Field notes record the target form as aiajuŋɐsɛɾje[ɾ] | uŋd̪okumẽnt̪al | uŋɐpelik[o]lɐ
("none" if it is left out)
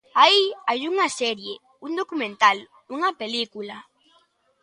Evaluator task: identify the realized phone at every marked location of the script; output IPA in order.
none, u

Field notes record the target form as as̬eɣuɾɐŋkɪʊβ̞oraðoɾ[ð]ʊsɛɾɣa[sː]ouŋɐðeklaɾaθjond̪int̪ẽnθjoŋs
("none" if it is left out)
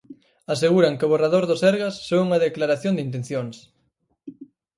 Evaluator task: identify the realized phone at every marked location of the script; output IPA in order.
ð, sː

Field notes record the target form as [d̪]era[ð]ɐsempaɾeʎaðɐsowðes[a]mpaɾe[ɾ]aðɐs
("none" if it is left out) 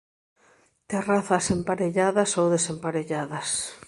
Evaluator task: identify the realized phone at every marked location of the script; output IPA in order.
t̪, θ, e, ʎ

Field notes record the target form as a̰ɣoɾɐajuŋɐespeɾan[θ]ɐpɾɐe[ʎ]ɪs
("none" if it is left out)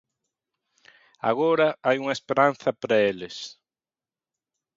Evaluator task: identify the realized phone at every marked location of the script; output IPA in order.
θ, l

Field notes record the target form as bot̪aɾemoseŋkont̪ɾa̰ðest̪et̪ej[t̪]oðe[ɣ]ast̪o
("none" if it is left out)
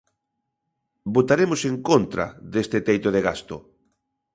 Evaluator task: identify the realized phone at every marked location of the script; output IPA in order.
t̪, ɣ

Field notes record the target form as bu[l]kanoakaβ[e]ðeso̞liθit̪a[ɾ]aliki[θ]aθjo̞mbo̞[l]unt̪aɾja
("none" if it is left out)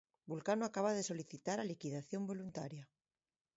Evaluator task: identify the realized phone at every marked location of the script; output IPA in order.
l, a, ɾ, ð, l

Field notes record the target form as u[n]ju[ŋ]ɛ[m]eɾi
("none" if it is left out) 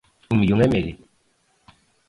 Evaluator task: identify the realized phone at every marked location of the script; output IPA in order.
m, ŋ, m

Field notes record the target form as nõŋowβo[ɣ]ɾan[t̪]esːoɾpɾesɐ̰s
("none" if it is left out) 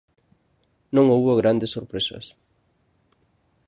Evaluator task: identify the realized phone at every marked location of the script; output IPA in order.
ɣ, d̪

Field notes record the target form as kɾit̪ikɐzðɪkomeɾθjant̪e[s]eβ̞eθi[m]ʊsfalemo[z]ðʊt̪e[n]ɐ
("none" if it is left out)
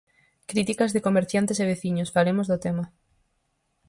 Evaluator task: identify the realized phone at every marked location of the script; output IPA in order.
s, ɲ, z, m

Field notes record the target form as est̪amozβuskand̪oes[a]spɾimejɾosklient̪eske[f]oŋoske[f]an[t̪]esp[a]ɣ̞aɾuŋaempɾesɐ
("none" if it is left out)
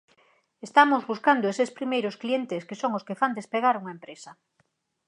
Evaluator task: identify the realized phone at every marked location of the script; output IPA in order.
e, s, f, d̪, e

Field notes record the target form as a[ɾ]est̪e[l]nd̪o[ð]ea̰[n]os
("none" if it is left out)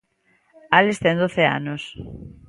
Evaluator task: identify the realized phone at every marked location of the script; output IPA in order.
l, none, θ, n

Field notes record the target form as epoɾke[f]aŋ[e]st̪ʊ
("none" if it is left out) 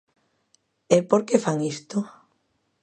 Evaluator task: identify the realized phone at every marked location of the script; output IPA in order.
f, i

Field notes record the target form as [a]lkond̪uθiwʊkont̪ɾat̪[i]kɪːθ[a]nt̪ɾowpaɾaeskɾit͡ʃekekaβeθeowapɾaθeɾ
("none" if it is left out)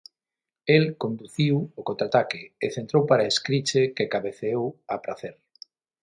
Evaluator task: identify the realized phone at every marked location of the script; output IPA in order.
e, a, e

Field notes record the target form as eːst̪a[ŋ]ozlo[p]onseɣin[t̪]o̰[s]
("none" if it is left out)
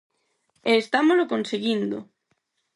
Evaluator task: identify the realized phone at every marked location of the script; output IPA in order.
m, k, d̪, none

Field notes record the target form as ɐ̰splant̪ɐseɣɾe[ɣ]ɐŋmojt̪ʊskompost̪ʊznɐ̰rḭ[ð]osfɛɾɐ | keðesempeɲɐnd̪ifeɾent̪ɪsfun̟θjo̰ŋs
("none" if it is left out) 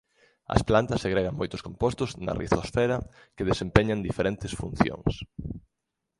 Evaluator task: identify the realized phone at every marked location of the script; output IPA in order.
ɣ, θ

